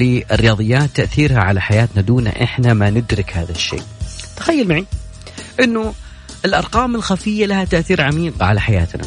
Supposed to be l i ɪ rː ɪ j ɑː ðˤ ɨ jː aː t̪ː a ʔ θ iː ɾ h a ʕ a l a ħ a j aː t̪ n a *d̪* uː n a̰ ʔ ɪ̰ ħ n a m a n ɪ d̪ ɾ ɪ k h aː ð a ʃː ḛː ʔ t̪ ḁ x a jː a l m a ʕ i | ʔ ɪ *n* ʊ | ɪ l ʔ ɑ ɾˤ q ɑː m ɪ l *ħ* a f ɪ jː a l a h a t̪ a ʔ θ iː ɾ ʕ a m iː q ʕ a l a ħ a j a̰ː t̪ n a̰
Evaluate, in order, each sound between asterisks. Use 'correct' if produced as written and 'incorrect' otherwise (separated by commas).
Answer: correct, incorrect, incorrect